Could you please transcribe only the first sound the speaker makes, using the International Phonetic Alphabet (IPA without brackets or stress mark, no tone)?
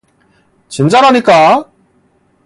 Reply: t͡ɕ